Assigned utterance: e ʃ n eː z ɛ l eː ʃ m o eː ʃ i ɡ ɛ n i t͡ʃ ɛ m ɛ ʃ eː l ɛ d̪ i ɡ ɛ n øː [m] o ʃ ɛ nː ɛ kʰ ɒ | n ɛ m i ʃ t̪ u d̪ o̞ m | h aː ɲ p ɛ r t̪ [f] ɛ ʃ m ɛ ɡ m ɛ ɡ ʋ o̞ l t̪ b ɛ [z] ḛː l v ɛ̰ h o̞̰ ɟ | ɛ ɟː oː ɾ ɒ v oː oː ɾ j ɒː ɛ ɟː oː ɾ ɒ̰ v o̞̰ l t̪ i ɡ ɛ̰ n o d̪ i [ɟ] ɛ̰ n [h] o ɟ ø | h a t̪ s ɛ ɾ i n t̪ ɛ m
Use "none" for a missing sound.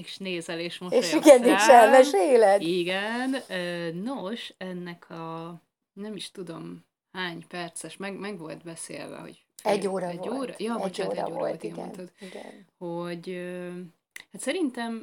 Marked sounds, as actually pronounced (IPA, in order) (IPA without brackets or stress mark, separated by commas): n, s, s, ɡ, h